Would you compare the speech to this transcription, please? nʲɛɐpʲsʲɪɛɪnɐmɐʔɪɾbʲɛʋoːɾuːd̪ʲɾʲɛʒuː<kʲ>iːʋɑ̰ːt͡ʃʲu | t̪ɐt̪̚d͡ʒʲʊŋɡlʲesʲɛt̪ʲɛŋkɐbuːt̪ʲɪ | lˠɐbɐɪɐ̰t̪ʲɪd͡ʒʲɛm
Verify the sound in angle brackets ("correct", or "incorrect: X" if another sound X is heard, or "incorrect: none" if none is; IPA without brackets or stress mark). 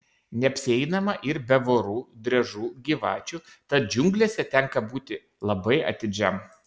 incorrect: ɡʲ